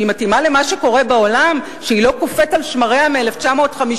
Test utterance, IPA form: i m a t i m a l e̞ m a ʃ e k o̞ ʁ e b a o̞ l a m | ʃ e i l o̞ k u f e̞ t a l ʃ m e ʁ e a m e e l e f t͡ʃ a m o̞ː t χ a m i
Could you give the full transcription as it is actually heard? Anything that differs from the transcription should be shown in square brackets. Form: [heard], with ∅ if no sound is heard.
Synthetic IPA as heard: i m a t i m a l e̞ m a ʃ e k o̞ ʁ e b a o̞ l a m | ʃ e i l o̞ k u f e̞ t a l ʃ m [a] ʁ e a m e e l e f t͡ʃ a m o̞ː t χ a m i